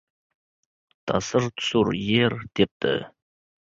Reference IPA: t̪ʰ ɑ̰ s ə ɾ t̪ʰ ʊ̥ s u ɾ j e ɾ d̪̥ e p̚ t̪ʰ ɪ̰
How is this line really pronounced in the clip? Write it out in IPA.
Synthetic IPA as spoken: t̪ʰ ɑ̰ s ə ɾ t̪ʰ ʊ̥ s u ɾ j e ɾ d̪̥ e p̚ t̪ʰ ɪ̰